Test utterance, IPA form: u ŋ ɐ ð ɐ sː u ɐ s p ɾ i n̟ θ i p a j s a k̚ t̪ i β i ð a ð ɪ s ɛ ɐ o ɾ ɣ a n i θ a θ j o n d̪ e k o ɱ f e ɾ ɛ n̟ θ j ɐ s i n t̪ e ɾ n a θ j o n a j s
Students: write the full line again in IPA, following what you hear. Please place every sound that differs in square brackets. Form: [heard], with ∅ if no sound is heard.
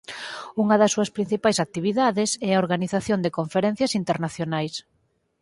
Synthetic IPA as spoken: u ŋ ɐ ð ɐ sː u ɐ s p ɾ i n̟ θ i p a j s a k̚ t̪ i β i ð a ð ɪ s ɛ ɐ o ɾ ɣ a n i θ a θ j o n d̪ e k o ɱ f e ɾ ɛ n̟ θ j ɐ s i n t̪ e ɾ n a θ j o n a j s